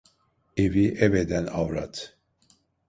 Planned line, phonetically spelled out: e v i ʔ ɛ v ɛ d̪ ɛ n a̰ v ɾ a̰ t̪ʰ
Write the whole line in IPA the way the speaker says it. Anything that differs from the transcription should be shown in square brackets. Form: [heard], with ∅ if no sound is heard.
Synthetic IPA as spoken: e v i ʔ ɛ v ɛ d̪ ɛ n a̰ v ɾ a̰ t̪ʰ